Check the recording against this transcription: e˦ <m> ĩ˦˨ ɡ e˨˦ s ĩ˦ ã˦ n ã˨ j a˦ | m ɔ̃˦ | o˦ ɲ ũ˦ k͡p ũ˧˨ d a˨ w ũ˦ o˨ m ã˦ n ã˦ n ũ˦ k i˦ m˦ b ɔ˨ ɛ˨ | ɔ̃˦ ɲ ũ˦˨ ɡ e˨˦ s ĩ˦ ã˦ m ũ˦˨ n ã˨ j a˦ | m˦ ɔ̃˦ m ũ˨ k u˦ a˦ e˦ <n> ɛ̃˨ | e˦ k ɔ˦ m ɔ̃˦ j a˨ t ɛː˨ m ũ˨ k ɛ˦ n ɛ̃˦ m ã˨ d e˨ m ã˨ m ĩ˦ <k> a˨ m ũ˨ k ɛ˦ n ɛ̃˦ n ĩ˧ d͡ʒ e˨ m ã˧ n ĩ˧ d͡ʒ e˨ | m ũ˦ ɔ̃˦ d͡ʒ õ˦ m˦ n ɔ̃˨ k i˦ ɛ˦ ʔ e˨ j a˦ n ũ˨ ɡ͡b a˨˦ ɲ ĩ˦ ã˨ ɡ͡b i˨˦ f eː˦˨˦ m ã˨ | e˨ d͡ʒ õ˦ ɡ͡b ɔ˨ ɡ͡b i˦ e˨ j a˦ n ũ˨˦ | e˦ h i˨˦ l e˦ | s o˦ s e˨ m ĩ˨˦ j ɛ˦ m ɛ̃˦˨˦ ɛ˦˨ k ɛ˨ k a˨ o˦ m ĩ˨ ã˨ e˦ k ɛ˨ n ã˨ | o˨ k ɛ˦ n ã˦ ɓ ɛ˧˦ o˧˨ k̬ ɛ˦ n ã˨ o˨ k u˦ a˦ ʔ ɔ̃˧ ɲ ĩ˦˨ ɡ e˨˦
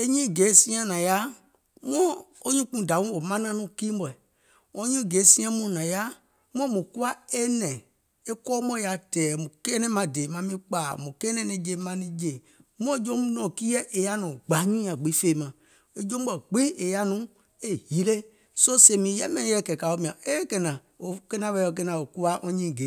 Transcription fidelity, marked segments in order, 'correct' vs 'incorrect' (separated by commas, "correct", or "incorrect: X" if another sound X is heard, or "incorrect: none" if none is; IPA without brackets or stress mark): incorrect: ɲ, correct, incorrect: k͡p